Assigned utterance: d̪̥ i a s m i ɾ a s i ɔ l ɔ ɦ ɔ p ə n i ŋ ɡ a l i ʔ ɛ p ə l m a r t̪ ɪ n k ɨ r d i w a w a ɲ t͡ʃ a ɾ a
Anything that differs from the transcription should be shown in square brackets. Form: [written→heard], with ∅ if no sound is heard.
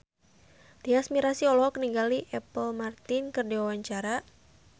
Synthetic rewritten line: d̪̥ i a s m i ɾ a s i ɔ l ɔ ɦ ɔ [p→k] ə n i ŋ ɡ a l i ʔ ɛ p ə l m a r t̪ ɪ n k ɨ r d i w a w a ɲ t͡ʃ a ɾ a